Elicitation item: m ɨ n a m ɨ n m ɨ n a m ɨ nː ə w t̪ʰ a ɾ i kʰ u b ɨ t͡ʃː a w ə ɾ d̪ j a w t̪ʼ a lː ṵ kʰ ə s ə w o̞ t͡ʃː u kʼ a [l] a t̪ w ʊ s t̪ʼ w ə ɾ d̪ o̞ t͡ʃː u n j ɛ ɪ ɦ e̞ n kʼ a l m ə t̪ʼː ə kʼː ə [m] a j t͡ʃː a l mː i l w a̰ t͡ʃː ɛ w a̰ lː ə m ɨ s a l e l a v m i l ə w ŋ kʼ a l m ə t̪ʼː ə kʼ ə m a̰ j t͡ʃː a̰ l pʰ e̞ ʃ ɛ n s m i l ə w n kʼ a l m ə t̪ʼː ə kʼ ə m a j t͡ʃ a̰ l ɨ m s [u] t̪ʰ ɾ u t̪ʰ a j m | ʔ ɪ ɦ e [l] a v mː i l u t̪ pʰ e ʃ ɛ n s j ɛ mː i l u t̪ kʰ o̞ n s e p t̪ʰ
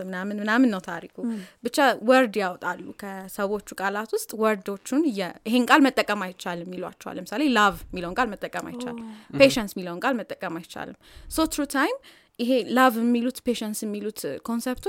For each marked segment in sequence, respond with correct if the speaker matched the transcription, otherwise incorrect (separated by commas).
correct, correct, incorrect, correct